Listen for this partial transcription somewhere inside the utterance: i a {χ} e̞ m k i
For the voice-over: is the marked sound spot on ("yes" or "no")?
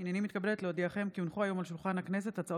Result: yes